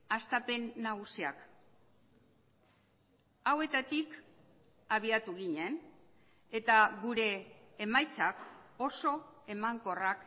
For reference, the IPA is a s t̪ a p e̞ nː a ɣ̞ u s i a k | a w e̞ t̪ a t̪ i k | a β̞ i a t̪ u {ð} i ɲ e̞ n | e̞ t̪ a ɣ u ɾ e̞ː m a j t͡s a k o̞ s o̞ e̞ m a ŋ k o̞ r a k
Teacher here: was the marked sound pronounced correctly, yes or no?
no